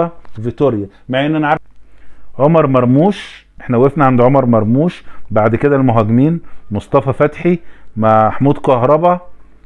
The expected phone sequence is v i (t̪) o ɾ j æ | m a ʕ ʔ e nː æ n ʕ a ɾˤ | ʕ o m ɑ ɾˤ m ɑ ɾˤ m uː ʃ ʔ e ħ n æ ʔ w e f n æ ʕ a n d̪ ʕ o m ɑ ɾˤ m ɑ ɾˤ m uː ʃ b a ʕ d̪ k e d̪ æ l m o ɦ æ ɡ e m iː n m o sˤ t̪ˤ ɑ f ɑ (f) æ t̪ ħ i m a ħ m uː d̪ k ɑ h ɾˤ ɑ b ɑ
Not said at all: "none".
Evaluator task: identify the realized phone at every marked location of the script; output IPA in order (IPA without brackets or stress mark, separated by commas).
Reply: t̪, f